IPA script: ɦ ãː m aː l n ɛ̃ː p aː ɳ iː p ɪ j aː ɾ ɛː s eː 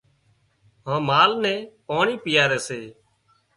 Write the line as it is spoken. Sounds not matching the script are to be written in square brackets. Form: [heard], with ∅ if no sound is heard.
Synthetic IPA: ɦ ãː m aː l n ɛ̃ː p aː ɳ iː p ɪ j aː ɾ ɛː s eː